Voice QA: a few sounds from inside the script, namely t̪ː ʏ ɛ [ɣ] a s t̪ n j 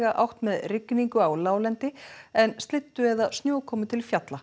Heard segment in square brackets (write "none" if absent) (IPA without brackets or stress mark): ð